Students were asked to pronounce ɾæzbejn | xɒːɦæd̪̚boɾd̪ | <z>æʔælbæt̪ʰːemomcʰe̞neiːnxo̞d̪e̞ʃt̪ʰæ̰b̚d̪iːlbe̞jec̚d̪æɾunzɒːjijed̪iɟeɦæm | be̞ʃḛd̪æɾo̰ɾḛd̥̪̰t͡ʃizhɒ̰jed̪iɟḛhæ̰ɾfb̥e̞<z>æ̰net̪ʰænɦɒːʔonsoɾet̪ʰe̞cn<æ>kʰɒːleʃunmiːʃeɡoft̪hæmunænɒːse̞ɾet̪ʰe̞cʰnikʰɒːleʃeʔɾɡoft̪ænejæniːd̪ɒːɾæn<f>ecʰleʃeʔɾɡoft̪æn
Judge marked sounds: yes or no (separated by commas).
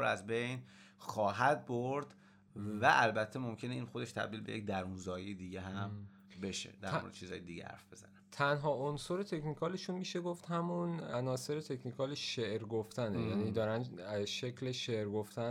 no, yes, no, no